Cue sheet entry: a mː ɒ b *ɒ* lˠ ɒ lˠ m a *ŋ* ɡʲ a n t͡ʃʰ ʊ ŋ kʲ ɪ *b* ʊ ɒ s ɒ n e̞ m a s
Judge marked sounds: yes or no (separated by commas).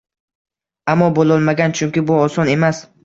no, no, yes